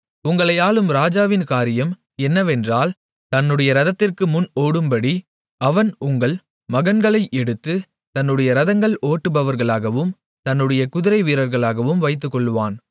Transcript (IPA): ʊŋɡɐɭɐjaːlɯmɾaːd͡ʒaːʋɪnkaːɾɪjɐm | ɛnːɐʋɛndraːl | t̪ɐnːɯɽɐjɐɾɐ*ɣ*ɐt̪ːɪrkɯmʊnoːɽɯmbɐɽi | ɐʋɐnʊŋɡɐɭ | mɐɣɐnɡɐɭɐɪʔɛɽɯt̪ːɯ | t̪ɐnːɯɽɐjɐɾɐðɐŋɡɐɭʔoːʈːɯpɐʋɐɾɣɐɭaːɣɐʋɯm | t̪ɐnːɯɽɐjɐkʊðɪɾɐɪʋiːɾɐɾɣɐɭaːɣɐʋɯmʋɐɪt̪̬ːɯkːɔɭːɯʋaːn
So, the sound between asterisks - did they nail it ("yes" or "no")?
no